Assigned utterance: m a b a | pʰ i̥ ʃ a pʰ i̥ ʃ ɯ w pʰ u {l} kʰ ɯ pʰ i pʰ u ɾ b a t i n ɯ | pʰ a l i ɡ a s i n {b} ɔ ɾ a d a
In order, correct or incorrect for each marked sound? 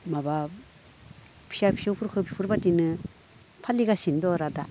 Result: incorrect: ɾ, incorrect: d

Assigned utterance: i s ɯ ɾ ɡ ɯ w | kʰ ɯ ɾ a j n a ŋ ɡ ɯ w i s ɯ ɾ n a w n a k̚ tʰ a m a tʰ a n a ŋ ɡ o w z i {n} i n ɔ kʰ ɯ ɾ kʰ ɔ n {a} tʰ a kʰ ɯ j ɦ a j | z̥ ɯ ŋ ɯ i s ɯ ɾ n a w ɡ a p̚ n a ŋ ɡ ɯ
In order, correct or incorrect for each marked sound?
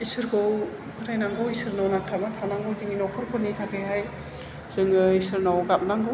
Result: incorrect: ŋ, incorrect: i

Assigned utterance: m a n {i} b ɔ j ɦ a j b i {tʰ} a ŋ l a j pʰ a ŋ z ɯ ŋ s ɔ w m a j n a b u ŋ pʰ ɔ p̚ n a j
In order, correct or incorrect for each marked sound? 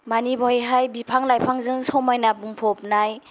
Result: correct, incorrect: pʰ

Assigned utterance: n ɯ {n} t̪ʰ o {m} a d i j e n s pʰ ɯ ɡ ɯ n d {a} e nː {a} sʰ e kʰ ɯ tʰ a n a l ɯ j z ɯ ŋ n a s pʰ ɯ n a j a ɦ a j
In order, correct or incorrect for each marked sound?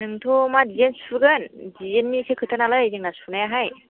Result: incorrect: ŋ, correct, incorrect: i, incorrect: i

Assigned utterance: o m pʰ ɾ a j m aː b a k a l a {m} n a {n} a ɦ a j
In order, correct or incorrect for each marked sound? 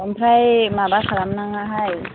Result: correct, incorrect: ŋ

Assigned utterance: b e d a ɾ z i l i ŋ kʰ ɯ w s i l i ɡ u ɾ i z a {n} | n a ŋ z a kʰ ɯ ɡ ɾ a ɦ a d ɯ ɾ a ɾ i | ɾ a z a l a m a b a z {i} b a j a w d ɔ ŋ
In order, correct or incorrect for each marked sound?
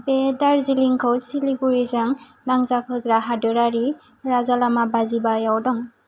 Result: incorrect: ŋ, correct

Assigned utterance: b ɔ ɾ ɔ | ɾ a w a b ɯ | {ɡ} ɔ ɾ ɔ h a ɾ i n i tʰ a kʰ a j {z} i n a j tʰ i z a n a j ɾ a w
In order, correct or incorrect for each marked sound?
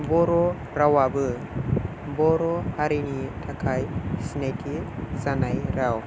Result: incorrect: b, incorrect: s

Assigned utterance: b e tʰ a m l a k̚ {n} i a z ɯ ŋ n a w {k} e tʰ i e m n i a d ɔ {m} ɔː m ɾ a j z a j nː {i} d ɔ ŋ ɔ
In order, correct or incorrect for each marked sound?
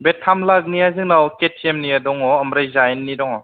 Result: correct, correct, incorrect: ŋ, correct

